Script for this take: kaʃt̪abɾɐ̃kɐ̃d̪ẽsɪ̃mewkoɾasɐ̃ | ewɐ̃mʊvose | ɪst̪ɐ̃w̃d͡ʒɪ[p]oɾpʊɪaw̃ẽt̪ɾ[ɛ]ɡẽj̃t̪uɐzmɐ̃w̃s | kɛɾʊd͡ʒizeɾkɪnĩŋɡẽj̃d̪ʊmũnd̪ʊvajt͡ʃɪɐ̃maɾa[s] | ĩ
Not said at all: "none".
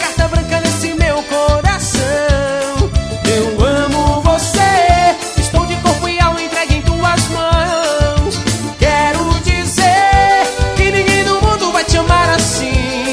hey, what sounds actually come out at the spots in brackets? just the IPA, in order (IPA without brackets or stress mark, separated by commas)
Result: k, ɛ, s